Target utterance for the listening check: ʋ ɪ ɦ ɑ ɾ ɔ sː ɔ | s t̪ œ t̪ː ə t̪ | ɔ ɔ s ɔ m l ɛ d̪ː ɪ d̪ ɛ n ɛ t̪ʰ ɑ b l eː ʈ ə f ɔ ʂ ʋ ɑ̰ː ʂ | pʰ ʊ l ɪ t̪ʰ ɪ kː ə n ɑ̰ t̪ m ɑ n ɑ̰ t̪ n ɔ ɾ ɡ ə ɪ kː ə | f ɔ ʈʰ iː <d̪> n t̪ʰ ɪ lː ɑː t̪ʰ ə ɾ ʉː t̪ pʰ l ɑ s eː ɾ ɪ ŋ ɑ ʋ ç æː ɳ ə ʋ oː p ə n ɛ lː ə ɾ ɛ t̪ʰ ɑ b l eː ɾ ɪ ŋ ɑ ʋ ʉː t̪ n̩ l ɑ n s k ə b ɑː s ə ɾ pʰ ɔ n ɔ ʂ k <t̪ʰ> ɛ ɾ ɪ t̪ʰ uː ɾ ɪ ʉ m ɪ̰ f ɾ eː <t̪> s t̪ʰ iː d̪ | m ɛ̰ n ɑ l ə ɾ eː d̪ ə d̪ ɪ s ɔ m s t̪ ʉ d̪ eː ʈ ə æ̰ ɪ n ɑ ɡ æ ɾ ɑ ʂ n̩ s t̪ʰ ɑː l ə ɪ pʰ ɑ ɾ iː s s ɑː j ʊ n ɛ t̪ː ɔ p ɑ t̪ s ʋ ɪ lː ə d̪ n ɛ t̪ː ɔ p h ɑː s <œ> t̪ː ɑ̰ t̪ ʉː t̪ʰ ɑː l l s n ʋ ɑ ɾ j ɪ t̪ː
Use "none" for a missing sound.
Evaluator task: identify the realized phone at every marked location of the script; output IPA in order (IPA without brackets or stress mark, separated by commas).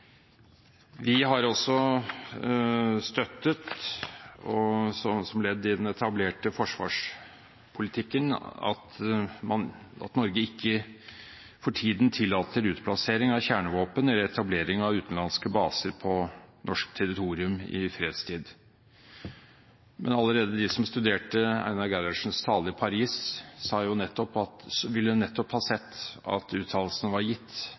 d̪, t̪ʰ, d̪, ɛ